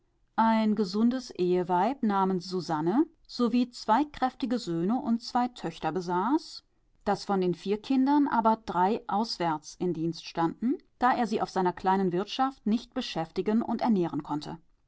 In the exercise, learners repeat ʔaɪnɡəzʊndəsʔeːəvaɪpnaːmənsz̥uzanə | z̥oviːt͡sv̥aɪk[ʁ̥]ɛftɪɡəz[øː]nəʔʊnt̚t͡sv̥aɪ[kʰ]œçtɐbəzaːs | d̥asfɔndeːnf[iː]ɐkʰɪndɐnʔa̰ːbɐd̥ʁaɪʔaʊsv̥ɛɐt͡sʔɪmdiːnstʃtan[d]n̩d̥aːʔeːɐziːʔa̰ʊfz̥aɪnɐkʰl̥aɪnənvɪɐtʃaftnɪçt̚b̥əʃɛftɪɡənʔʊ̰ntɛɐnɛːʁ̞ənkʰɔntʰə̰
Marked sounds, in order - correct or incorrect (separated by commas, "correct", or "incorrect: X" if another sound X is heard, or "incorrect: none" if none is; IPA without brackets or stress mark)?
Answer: correct, correct, incorrect: tʰ, correct, correct